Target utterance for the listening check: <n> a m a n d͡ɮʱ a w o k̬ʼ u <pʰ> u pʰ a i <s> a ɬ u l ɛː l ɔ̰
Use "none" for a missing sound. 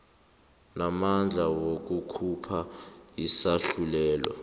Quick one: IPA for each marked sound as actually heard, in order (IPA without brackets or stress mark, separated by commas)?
n, kʰ, s